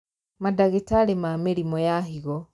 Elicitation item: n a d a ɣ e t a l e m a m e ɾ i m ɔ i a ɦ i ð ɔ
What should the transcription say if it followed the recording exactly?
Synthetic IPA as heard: m a d a ɣ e t a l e m a m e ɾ i m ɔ j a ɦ i ɣ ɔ